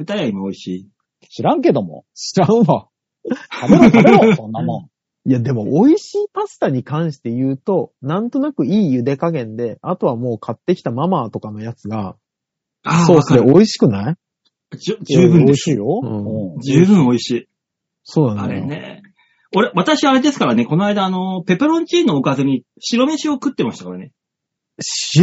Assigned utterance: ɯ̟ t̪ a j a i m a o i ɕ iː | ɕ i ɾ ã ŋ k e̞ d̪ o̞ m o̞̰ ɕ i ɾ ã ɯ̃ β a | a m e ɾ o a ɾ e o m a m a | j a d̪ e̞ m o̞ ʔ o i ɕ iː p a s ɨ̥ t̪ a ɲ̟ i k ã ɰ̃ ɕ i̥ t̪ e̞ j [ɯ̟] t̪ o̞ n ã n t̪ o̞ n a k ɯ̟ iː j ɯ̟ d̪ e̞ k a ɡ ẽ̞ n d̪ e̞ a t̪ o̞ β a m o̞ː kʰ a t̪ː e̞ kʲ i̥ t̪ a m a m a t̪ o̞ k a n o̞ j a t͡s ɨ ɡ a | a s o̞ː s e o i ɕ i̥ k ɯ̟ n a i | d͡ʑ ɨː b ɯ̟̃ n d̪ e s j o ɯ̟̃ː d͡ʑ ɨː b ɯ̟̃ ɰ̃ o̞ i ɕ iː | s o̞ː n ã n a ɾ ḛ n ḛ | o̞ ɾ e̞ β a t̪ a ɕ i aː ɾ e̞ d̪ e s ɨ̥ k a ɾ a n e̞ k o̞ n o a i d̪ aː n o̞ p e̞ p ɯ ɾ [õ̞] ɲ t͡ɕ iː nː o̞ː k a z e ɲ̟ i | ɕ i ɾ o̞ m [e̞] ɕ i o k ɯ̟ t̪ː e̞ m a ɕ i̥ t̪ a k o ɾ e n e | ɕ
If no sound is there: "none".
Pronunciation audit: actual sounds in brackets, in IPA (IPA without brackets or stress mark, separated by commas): ɯ̟ː, õ̞, e̞